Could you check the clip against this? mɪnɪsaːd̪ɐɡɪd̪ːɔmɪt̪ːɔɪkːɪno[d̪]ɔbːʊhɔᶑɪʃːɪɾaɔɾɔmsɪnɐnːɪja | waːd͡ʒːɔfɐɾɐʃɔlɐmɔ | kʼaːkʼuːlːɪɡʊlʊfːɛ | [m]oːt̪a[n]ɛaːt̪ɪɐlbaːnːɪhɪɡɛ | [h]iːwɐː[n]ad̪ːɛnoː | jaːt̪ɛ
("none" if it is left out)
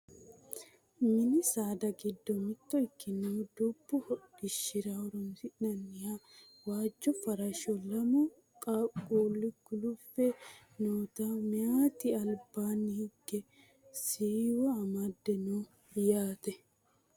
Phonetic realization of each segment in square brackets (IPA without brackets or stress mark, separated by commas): d̪, n, m, s, m